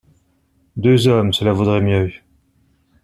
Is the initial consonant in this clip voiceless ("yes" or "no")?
no